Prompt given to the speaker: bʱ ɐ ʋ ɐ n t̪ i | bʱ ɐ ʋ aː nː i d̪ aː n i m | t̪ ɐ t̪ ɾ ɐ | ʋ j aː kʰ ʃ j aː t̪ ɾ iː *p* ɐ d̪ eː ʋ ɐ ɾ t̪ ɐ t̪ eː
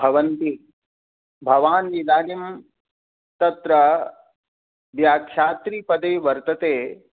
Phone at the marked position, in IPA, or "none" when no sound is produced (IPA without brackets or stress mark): p